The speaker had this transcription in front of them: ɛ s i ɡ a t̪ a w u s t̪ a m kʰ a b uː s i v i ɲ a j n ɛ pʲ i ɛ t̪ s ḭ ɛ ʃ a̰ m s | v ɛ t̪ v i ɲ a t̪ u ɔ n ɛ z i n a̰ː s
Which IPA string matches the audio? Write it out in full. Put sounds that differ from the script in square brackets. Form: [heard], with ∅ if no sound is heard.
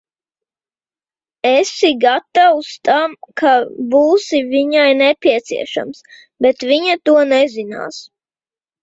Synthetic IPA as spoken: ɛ s i ɡ a t̪ a w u s t̪ a m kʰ a b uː s i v i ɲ a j n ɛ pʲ i ɛ t̪ s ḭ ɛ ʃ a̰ m s | [b] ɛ t̪ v i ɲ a t̪ u ɔ n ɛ z i n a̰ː s

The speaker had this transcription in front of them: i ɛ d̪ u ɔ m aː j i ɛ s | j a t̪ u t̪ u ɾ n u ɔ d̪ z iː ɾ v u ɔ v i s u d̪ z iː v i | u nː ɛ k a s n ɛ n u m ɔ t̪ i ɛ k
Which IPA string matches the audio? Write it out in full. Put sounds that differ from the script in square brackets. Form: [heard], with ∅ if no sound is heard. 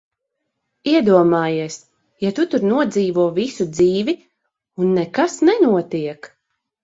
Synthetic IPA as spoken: i ɛ d̪ u ɔ m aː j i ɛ s | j a t̪ u t̪ u ɾ n u ɔ d̪ z iː [∅] v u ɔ v i s u d̪ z iː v i | u nː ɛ k a s n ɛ n u [∅] ɔ t̪ i ɛ k

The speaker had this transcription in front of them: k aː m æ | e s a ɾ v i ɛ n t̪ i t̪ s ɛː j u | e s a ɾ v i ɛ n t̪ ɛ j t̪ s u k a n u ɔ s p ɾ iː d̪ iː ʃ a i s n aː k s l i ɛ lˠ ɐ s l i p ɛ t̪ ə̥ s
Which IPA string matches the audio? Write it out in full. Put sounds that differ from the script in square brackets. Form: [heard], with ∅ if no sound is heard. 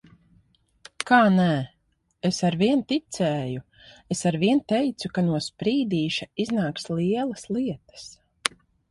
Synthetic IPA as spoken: k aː [n] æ | e s a ɾ v i ɛ n t̪ i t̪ s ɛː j u | e s a ɾ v i ɛ n t̪ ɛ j t̪ s u k a n u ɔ s p ɾ iː d̪ iː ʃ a i [z] n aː k s l i ɛ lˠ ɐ s l i [∅] ɛ t̪ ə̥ s

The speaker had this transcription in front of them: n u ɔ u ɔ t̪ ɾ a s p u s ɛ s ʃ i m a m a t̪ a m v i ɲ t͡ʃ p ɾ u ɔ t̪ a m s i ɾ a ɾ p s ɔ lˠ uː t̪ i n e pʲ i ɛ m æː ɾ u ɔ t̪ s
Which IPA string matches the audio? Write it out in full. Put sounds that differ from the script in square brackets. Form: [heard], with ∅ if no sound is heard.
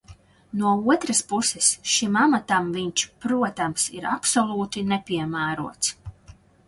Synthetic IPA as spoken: n u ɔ u ɔ t̪ ɾ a s p u s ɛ s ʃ i m a m a t̪ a m v i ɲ t͡ʃ p ɾ u ɔ t̪ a m s i ɾ a [∅] p s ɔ lˠ uː t̪ i n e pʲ i ɛ m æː ɾ u ɔ t̪ s

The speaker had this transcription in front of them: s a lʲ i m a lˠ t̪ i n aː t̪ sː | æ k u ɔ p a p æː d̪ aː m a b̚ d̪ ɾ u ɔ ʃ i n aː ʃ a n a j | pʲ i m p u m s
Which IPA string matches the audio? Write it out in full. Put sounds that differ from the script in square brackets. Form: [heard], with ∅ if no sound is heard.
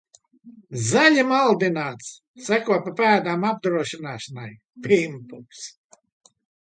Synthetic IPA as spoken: [z] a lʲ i m a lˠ [d̪] i n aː t̪ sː | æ k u ɔ p a p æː d̪ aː m a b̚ d̪ ɾ u ɔ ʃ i n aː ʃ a n a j | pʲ i m p u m s

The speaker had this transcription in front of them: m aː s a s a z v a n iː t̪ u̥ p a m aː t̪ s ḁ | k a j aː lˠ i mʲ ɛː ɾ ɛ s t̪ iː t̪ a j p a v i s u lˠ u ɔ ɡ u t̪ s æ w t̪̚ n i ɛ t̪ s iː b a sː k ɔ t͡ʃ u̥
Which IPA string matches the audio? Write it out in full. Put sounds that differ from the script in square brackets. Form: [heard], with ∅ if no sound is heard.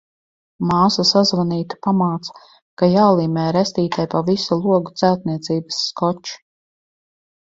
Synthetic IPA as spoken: m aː s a s a z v a n iː t̪ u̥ p a m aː t̪ s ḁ | k a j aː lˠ [iː] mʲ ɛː ɾ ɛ s t̪ iː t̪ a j p a v i s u lˠ u ɔ ɡ u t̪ s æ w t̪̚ n i ɛ t̪ s iː b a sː k ɔ t͡ʃ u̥

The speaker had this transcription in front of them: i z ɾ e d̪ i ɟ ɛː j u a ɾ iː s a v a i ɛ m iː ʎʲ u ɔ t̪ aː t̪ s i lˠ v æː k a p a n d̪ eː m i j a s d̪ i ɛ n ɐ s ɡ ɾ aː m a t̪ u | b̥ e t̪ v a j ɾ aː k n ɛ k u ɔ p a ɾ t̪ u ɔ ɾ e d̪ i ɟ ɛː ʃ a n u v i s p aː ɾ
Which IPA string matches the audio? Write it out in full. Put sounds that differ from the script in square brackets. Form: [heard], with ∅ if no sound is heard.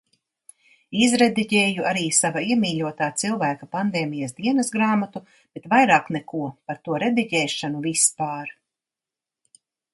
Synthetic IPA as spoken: i z ɾ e d̪ i ɟ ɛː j u a ɾ iː s a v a i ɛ m iː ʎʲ u ɔ t̪ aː t̪ s i lˠ v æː k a p a n d̪ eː m i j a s d̪ i ɛ n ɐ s ɡ ɾ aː m a t̪ u | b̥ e t̪ v a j ɾ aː k n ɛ k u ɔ p a ɾ t̪ u ɔ ɾ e d̪ i ɟ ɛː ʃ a n u v i s p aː ɾ

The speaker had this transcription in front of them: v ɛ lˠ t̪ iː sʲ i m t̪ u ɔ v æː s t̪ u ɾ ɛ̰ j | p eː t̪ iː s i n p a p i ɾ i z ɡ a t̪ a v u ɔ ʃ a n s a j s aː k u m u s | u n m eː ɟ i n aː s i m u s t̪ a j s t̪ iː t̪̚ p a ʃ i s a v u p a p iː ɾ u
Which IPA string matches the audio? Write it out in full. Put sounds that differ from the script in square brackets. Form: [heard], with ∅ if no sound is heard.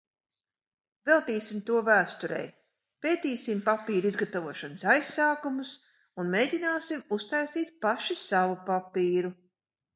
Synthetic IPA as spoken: v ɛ lˠ t̪ iː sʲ i m t̪ u ɔ v æː s t̪ u ɾ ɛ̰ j | p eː t̪ iː s i [m] p a p [iː] ɾ i z ɡ a t̪ a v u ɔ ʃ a n s a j s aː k u m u s | u n m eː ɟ i n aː s i m u s t̪ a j s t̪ iː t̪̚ p a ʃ i s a v u p a p iː ɾ u

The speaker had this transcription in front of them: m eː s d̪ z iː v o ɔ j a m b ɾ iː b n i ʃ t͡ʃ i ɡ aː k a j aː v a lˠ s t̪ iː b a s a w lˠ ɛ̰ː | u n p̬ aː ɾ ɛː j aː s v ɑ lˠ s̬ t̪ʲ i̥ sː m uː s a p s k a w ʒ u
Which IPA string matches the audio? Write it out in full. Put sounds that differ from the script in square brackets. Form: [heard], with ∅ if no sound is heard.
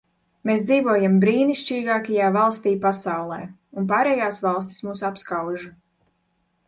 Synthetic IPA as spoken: m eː s d̪ z iː v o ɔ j a m b ɾ iː [∅] n i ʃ t͡ʃ [iː] ɡ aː k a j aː v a lˠ s t̪ iː [p] a s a w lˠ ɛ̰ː | u n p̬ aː ɾ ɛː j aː s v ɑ lˠ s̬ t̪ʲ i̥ [s] m uː s a p s k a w ʒ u

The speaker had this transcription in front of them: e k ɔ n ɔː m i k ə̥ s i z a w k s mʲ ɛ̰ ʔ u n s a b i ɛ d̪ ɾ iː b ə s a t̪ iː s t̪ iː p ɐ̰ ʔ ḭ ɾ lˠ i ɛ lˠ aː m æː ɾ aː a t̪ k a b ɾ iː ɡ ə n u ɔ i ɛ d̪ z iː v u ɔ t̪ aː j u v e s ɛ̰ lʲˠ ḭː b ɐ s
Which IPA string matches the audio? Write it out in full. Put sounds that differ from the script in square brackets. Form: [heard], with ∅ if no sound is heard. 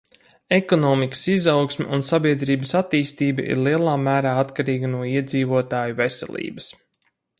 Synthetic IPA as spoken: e k ɔ n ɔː m i k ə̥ s i z a w k s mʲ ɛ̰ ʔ u n s a b i ɛ d̪ ɾ iː b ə s a t̪ iː s t̪ iː [b] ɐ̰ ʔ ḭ ɾ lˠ i ɛ lˠ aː m æː ɾ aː a t̪ k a [∅] ɾ iː ɡ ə n u ɔ i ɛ d̪ z iː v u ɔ t̪ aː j u v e s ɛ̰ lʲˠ ḭː b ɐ s

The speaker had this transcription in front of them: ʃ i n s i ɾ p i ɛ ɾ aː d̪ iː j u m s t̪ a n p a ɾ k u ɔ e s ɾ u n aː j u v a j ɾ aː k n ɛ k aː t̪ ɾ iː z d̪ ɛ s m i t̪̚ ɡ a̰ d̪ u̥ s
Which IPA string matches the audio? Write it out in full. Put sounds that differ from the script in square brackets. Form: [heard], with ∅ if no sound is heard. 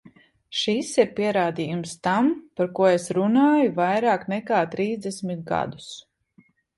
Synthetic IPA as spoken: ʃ i [∅] s i ɾ p i ɛ ɾ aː d̪ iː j u m s t̪ a [m] p a ɾ k u ɔ e s ɾ u n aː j u v a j ɾ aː k n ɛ k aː t̪ ɾ iː z d̪ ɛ s m i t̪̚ ɡ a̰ d̪ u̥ s

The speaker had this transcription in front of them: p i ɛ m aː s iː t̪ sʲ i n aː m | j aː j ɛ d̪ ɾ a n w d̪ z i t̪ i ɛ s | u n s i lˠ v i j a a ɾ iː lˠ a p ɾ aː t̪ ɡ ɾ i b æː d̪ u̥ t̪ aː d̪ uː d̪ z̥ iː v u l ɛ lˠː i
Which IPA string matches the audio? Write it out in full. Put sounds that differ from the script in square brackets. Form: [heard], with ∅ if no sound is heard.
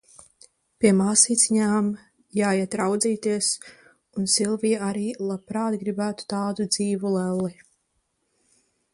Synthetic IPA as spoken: p i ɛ m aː s iː t̪ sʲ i [ɲ] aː m | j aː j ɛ [t̪] ɾ a [∅] w d̪ z [iː] t̪ i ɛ s | u n s i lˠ v i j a a ɾ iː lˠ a p ɾ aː t̪ ɡ ɾ i b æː [t̪] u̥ t̪ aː d̪ [u] d̪ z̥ iː v u l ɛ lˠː i

